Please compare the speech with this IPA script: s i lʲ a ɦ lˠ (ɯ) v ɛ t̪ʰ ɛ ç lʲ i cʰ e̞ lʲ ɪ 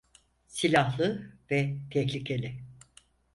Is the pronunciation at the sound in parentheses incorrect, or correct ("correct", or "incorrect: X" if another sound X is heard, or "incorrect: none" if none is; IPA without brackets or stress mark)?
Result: correct